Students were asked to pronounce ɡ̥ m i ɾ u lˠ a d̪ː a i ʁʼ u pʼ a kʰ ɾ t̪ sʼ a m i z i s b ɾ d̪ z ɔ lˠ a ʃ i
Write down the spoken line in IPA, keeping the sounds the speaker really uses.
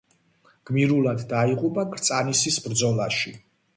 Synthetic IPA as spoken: ɡ̥ m i ɾ u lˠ a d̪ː a i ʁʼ u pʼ a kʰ ɾ t̪ sʼ a n i s i s b ɾ d̪ z ɔ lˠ a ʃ i